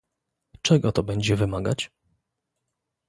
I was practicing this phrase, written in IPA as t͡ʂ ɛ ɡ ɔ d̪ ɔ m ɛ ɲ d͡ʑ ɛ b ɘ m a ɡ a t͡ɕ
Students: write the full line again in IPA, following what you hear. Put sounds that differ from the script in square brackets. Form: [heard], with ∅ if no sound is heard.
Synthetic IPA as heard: t͡ʂ ɛ ɡ ɔ [t̪] ɔ [b] ɛ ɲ d͡ʑ ɛ [v] ɘ m a ɡ a t͡ɕ